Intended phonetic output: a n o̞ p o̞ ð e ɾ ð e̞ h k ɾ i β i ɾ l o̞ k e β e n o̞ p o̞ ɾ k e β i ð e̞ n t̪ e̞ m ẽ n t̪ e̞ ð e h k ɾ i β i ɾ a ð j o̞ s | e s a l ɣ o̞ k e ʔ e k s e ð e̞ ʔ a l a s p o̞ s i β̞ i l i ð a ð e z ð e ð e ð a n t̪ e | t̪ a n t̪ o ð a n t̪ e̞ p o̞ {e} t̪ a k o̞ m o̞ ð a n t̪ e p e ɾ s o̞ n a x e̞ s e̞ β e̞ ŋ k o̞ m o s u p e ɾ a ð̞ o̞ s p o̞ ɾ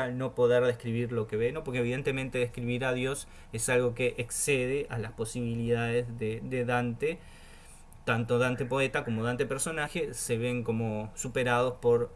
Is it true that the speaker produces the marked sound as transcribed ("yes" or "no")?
yes